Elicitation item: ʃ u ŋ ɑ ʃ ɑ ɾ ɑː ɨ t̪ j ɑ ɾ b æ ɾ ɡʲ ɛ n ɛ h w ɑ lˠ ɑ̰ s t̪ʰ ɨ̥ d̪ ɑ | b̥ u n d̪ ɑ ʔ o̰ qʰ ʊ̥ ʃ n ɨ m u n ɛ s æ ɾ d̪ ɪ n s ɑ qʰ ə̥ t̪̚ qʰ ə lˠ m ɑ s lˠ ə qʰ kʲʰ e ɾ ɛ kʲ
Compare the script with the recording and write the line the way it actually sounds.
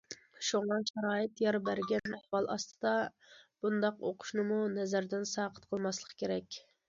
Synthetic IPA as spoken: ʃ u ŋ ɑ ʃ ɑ ɾ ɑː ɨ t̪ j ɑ ɾ b æ ɾ ɡʲ ɛ n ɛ h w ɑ lˠ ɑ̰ s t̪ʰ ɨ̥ d̪ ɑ | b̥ u n d̪ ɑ q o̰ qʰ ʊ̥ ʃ n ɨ m u n ɛ z æ ɾ d̪ ɪ n s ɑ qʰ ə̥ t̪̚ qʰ ə lˠ m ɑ s lˠ ə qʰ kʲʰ e ɾ ɛ kʲ